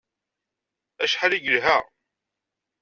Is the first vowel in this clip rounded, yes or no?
no